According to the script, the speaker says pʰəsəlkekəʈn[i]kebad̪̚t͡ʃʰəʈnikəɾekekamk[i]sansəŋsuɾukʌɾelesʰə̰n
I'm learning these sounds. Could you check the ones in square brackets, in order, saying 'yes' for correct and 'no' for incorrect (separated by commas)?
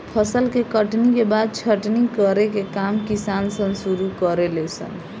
yes, yes